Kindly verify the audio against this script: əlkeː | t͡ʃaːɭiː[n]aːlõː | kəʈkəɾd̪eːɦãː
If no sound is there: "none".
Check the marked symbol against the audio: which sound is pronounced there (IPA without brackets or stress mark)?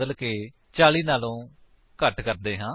n